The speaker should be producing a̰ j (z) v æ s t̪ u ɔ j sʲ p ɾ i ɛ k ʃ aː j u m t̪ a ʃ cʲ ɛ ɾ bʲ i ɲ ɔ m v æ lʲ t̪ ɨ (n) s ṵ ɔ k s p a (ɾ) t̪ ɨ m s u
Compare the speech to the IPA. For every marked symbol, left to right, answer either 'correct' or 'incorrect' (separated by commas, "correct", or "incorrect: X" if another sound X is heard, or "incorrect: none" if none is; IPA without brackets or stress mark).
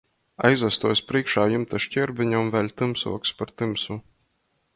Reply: correct, incorrect: m, correct